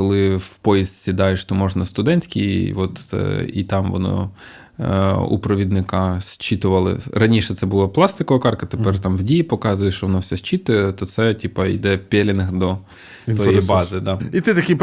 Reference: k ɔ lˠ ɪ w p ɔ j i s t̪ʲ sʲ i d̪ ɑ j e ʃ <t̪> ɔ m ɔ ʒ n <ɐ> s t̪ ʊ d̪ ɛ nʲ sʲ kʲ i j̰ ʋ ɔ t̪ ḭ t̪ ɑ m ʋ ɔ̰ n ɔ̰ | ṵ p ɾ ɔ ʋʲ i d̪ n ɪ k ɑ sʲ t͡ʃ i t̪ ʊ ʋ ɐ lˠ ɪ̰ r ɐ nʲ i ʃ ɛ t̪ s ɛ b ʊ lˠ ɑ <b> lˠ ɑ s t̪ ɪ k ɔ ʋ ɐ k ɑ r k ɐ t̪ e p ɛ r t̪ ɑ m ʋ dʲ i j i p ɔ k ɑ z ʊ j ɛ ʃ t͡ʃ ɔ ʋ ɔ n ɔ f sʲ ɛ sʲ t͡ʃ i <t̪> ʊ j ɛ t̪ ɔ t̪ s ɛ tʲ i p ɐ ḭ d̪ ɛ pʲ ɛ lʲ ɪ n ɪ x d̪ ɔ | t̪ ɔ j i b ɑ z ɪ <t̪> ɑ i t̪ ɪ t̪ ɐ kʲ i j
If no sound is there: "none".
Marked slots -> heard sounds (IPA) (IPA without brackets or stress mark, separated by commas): t̪, ɐ, p, t̪, d̪